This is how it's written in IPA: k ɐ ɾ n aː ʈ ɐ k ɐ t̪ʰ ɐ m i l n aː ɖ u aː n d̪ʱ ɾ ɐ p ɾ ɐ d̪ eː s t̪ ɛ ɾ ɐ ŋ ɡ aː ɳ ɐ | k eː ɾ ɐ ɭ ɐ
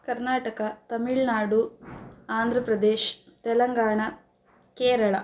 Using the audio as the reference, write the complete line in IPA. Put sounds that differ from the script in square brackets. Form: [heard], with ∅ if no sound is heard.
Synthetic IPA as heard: k ɐ ɾ n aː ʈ ɐ k ɐ [t̪] ɐ m i [ɭ] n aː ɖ u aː n d̪ʱ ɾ ɐ p ɾ ɐ d̪ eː [ʃ] t̪ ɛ [l] ɐ ŋ ɡ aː ɳ ɐ | k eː ɾ ɐ ɭ ɐ